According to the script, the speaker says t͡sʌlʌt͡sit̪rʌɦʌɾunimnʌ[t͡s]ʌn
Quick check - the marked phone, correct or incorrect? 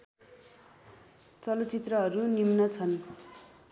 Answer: incorrect